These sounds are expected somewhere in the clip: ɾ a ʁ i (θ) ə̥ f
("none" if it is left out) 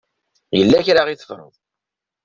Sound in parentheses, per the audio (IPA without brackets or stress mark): θ